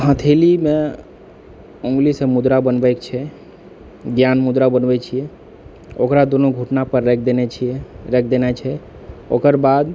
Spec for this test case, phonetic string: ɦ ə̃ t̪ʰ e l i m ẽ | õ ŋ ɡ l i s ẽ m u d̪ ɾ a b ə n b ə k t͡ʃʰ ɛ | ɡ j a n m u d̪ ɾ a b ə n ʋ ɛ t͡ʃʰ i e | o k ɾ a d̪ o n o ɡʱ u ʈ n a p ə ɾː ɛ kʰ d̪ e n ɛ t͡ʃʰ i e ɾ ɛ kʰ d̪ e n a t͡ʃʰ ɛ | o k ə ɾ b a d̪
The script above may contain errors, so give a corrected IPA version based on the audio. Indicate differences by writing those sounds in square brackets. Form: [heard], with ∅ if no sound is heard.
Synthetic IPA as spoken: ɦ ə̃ t̪ʰ e l i m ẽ | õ ŋ ɡ l i s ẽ m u d̪ ɾ a b ə n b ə k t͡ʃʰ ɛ | ɡ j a n m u d̪ ɾ a b ə n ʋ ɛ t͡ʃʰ i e | o k ɾ a d̪ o n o ɡʱ u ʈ n a p ə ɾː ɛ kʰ d̪ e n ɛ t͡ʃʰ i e ɾ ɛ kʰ d̪ e n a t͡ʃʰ ɛ | o k ə ɾ b a d̪